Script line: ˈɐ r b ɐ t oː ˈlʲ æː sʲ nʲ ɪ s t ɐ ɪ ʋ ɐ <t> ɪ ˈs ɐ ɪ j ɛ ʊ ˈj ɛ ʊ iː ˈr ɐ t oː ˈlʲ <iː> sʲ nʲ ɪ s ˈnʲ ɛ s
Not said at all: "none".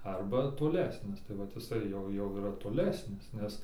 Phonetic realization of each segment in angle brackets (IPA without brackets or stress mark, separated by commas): t, æː